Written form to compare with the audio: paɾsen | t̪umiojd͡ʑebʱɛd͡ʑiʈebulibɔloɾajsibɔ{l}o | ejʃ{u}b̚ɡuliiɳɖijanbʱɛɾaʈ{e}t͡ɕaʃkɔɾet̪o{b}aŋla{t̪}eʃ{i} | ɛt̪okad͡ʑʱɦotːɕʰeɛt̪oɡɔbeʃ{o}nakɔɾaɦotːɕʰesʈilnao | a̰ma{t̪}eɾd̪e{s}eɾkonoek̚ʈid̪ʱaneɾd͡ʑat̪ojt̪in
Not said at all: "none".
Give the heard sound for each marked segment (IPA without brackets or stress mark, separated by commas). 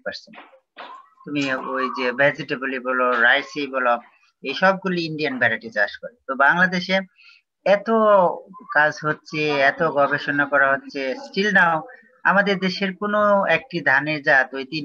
l, ɔ, i, b, d̪, e, o, d̪, ʃ